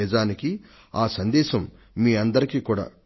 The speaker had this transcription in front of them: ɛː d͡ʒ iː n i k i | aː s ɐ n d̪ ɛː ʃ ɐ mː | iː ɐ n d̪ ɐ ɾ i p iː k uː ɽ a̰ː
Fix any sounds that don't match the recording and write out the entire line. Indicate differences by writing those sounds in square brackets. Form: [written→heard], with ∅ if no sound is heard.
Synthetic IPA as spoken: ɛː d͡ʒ [iː→aː] n i k i | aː s ɐ n d̪ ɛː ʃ ɐ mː | iː ɐ n d̪ ɐ ɾ i [p→k] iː k uː ɽ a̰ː

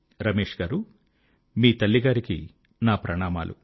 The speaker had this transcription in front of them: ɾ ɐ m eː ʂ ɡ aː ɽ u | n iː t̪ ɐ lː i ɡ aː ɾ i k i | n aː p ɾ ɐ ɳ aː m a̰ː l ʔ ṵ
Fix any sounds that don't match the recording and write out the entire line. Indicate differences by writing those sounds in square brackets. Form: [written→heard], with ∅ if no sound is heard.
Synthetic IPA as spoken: ɾ ɐ m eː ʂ ɡ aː [ɽ→ɾ] u | [n→m] iː t̪ ɐ lː i ɡ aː ɾ i k i | n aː p ɾ ɐ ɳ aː m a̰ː l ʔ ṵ

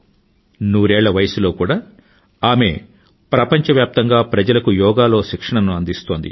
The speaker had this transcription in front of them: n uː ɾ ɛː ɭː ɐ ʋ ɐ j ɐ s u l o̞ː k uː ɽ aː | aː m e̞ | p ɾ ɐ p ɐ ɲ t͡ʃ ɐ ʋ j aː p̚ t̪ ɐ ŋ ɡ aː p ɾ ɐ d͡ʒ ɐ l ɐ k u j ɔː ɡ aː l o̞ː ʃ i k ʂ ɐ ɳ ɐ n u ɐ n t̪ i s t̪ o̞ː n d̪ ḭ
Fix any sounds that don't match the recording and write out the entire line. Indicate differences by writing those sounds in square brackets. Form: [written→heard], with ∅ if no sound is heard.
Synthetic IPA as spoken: n uː ɾ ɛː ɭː ɐ ʋ ɐ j ɐ s u l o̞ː k uː ɽ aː | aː m e̞ | p ɾ ɐ p ɐ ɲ t͡ʃ ɐ ʋ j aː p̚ t̪ ɐ ŋ ɡ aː p ɾ ɐ d͡ʒ ɐ l ɐ k u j ɔː ɡ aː l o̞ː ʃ i k ʂ ɐ ɳ ɐ n u ɐ n [t̪→d̪] i s t̪ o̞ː n d̪ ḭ

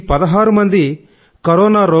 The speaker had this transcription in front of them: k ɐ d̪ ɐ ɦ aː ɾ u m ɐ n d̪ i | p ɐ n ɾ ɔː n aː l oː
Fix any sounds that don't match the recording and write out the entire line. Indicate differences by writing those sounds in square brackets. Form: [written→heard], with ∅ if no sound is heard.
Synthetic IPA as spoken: [k→p] ɐ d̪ ɐ ɦ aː ɾ u m ɐ n d̪ i | [p→k] ɐ [n→∅] ɾ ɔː n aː [l→ɾ] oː

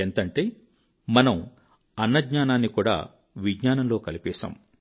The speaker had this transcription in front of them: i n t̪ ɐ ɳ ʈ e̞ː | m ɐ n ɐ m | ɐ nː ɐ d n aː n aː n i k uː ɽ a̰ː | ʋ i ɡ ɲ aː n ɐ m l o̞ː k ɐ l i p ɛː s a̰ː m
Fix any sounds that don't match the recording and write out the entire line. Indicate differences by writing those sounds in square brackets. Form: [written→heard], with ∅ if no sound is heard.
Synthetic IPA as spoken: [i→e] n t̪ ɐ ɳ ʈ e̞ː | m ɐ n ɐ m | ɐ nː ɐ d [n→ɲ] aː n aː [n→nː] i k uː ɽ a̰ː | ʋ i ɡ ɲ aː n ɐ m l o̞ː k ɐ l i p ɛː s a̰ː m

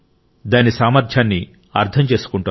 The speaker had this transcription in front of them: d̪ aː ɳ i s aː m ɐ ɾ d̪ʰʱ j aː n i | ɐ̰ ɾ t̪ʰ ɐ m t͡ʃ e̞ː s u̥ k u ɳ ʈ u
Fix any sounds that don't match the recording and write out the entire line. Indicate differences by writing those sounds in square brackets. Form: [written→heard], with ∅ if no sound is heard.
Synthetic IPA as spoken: d̪ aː [ɳ→n] i s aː m ɐ ɾ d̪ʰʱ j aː [n→nː] i | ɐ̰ ɾ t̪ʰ ɐ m t͡ʃ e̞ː s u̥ k u ɳ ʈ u

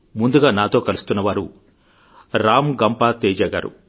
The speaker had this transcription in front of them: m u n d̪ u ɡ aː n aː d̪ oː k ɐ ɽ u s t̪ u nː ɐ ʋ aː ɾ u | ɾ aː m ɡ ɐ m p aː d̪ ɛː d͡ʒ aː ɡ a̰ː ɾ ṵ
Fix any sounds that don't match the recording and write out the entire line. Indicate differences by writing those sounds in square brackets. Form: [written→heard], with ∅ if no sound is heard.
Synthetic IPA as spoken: m u n d̪ u ɡ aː n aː [d̪→t̪] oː k ɐ [ɽ→l] u s t̪ u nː ɐ ʋ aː ɾ u | ɾ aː m ɡ ɐ m p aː [d̪→t̪] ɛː d͡ʒ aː ɡ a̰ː ɾ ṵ

